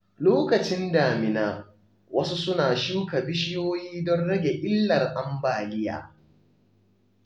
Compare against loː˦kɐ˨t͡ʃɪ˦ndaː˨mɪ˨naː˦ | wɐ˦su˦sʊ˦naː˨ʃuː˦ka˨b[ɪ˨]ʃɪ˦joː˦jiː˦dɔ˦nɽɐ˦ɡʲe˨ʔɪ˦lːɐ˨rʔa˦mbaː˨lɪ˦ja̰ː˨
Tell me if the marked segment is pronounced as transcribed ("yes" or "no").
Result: no